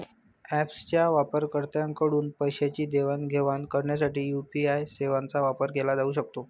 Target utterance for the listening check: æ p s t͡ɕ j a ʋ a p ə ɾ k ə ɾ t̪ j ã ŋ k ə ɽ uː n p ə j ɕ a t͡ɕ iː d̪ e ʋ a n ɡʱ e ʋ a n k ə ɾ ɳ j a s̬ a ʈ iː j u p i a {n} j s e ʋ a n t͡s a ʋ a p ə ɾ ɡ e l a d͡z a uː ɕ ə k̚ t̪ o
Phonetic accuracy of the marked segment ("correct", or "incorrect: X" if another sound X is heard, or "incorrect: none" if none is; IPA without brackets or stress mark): incorrect: none